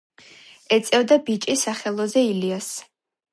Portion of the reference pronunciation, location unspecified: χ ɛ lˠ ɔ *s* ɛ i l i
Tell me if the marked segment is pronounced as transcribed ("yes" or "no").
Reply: no